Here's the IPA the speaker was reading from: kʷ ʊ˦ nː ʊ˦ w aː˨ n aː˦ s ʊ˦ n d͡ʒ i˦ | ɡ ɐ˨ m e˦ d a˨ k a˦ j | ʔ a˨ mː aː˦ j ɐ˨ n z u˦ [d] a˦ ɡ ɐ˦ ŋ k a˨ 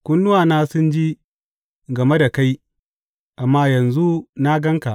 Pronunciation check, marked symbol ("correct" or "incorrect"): incorrect